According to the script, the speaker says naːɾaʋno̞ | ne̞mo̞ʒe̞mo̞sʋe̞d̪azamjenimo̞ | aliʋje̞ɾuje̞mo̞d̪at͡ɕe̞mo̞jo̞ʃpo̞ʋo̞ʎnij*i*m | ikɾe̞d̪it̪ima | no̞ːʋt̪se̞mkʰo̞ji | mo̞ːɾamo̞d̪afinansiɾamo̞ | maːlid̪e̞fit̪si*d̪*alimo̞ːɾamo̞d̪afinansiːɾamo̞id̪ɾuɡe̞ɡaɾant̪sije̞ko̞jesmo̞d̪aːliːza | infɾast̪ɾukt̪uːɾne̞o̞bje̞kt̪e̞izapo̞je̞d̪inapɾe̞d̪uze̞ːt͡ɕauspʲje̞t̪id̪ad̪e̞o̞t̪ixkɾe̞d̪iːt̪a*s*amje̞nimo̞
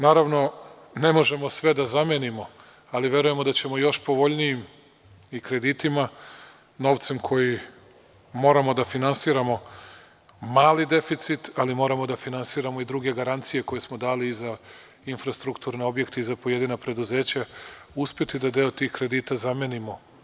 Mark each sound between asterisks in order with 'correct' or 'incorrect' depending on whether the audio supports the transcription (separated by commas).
correct, incorrect, incorrect